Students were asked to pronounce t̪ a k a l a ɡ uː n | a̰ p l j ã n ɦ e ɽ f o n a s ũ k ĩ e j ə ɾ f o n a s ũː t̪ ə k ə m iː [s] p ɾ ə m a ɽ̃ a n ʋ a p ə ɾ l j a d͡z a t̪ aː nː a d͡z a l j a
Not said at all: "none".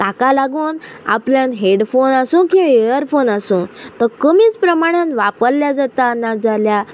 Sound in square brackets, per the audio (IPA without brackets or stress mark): t͡s